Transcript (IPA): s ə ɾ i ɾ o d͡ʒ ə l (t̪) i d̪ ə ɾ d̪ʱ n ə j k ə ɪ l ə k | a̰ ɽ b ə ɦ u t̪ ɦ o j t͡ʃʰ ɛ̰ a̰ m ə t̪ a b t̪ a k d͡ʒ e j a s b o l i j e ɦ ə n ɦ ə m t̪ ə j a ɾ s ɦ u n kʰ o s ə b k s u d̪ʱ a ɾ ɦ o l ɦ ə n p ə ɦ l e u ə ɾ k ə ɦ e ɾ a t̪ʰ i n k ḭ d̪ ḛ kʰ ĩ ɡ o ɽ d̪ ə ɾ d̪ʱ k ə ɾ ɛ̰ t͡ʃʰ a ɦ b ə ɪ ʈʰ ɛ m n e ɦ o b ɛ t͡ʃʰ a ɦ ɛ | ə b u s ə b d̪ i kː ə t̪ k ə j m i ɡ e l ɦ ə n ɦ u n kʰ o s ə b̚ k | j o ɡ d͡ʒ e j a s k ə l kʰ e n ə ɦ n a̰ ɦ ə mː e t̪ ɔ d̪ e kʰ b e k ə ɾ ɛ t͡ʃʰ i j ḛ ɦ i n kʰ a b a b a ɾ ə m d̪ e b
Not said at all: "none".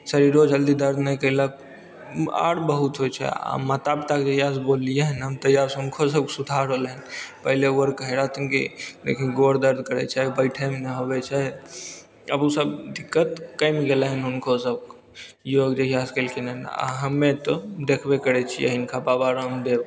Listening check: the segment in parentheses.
d̪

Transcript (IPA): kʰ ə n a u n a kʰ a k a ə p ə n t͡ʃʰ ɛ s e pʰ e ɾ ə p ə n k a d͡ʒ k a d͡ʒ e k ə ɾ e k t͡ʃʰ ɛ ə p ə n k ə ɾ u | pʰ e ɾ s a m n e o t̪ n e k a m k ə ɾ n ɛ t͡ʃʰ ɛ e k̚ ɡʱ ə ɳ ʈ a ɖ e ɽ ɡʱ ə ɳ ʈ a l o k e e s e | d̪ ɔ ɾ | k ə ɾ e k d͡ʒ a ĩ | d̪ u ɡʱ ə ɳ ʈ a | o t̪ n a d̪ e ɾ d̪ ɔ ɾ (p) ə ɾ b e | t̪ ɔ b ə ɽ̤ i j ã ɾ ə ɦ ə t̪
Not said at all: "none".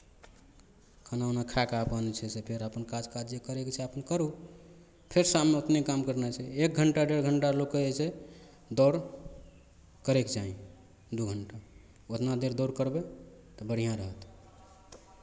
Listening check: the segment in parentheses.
k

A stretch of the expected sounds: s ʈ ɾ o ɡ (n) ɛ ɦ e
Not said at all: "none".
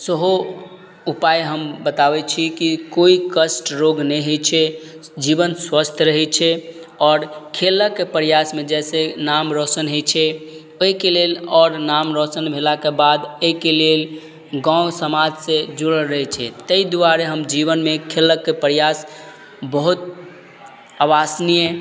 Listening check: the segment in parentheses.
n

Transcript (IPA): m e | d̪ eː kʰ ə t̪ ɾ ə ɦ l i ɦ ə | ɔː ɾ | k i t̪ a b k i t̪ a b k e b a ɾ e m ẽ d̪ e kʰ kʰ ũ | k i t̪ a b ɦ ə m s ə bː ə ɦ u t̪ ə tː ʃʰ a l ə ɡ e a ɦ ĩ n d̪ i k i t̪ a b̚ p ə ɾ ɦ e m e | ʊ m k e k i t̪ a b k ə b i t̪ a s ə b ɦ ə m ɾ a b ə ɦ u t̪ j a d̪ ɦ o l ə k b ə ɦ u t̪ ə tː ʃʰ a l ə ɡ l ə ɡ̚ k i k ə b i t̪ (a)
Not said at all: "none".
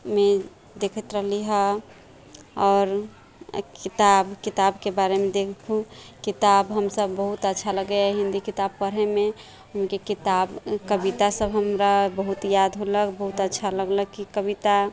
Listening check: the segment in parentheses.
a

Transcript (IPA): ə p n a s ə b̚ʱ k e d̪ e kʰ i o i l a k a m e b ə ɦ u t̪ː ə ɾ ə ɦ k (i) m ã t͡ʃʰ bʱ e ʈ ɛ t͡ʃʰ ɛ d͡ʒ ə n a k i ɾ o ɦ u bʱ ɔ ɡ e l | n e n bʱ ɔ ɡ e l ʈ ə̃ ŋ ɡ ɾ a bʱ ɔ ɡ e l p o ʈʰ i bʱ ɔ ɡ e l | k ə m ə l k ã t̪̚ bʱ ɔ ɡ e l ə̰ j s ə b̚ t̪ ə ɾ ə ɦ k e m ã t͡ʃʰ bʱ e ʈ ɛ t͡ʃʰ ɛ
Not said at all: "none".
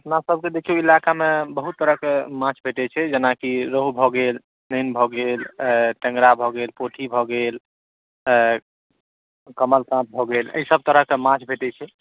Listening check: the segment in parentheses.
e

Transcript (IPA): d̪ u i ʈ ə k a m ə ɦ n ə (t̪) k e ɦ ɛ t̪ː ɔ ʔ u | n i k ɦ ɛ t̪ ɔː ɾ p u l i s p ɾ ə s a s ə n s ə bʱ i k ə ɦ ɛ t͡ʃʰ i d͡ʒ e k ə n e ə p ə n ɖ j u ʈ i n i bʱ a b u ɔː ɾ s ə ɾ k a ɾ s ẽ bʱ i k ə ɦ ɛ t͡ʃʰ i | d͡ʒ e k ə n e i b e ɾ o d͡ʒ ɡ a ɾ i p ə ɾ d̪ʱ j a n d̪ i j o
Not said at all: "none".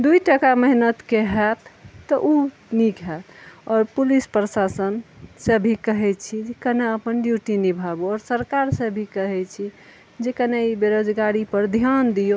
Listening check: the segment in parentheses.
t̪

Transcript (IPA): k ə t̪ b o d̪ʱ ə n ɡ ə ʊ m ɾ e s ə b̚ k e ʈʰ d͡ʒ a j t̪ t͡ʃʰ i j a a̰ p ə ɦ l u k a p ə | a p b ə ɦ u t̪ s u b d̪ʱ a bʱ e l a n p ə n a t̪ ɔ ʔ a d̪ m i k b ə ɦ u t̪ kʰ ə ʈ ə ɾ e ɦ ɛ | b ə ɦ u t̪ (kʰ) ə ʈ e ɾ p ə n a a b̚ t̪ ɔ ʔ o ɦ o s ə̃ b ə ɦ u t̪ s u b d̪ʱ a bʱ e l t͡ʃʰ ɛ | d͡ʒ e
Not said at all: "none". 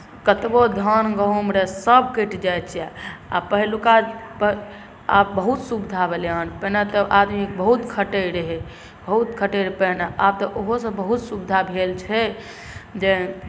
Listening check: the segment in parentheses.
kʰ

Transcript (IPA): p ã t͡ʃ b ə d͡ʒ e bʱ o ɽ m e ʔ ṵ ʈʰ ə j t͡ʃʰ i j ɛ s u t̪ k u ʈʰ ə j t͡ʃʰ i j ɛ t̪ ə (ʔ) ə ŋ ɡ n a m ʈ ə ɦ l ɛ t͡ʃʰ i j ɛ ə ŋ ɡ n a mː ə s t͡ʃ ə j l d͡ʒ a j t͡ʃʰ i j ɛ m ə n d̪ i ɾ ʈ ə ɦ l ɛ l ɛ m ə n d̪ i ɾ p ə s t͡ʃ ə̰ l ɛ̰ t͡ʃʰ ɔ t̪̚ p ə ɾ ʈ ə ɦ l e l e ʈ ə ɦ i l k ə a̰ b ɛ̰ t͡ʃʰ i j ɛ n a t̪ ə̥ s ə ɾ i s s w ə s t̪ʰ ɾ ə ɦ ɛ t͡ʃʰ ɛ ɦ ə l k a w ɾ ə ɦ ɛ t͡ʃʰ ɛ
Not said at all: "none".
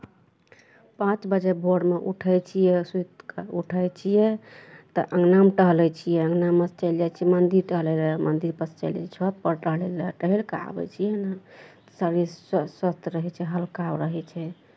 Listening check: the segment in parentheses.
ʔ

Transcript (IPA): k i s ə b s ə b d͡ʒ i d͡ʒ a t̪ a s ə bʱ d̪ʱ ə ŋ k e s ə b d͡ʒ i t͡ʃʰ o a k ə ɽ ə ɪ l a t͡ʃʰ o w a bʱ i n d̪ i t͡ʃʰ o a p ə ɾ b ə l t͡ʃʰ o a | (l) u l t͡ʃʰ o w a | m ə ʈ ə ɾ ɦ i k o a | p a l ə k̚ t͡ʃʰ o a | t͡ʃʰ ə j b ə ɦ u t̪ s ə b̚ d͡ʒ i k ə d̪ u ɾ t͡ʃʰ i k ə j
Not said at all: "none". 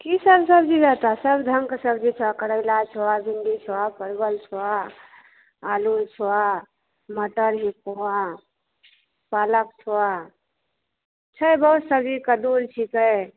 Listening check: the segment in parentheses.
l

